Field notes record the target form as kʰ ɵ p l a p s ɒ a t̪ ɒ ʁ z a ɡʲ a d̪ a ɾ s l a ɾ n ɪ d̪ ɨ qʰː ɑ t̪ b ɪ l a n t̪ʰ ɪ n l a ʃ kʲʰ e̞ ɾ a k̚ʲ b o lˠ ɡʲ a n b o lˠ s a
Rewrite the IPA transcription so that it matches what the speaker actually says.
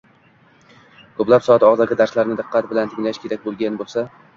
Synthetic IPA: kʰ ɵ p l a p s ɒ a t̪ ɒ ʁ z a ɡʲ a d̪ a ɾ s l a ɾ n ɪ d̪ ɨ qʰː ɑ t̪ b ɪ l a n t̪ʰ ɪ ŋ l a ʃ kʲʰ e̞ ɾ a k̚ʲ b o lˠ ɡʲ a n b o lˠ s a